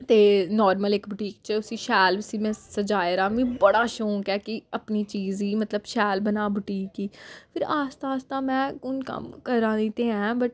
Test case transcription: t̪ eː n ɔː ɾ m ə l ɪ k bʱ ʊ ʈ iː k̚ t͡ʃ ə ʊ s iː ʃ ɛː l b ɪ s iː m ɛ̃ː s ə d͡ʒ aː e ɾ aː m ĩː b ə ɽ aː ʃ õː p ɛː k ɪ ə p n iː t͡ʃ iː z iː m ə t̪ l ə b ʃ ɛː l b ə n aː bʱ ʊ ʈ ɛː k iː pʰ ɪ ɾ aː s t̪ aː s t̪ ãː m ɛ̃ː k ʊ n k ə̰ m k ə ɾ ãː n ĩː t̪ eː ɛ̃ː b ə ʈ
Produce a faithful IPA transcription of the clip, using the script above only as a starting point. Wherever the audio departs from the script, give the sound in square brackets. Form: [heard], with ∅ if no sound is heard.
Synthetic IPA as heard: t̪ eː n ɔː ɾ m ə l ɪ k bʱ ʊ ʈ iː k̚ t͡ʃ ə ʊ s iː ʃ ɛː l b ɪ s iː m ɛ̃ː s ə d͡ʒ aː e ɾ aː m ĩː b ə ɽ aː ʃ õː [k] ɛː k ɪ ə p n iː t͡ʃ iː z iː m ə t̪ l ə b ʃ ɛː l b ə n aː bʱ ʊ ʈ [iː] k iː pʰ ɪ ɾ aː s t̪ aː s t̪ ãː m ɛ̃ː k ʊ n k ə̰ m k ə ɾ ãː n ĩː t̪ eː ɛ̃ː b ə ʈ

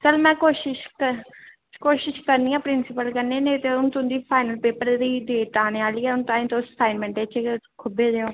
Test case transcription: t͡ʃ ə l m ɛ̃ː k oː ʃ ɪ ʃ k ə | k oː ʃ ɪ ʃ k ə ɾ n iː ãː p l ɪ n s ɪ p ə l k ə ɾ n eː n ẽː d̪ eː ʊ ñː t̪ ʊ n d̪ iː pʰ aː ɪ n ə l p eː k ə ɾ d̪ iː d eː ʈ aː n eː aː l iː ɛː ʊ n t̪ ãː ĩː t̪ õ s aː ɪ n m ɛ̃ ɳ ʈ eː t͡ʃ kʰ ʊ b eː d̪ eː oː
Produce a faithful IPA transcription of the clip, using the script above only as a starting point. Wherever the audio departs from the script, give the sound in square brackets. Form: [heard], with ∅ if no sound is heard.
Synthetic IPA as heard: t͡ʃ ə l m ɛ̃ː k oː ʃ ɪ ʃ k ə | k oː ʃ ɪ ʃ k ə ɾ n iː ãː p [ɾ] ɪ n s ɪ p ə l k ə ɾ n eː n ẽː [t̪] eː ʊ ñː t̪ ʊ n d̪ iː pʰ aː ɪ n ə l p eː [p] ə ɾ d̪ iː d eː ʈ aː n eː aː l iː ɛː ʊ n t̪ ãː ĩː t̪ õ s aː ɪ n m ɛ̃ ɳ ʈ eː t͡ʃ kʰ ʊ b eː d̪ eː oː

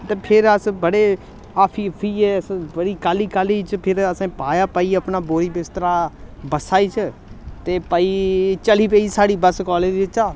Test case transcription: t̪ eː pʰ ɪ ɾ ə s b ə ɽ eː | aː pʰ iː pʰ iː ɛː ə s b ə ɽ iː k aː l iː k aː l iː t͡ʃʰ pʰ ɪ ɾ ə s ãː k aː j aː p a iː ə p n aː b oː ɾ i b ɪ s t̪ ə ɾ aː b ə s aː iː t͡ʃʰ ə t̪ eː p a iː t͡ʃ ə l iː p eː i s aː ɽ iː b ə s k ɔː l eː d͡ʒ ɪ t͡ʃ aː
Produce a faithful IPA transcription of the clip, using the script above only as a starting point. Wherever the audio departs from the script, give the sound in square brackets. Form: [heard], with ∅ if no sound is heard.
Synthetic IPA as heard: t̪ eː pʰ ɪ ɾ ə s b ə ɽ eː | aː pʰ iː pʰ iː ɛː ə s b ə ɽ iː k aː l iː k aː l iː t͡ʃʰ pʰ ɪ ɾ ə s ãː [p] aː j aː p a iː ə p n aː b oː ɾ i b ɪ s t̪ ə ɾ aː b ə s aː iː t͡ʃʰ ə t̪ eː p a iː t͡ʃ ə l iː p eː i s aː ɽ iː b ə s k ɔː l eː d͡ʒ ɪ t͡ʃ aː

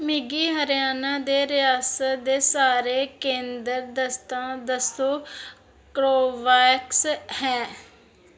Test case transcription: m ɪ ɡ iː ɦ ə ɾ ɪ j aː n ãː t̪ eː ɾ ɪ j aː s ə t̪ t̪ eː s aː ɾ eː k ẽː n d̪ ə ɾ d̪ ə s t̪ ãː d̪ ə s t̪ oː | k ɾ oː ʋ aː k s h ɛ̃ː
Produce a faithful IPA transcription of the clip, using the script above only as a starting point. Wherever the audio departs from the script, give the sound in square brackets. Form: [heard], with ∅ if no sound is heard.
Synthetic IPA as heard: m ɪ ɡ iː ɦ ə ɾ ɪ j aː n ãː [d̪] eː ɾ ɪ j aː s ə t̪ [d̪] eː s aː ɾ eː k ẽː n d̪ ə ɾ d̪ ə s t̪ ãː d̪ ə s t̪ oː | k ɾ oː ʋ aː k s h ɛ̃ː

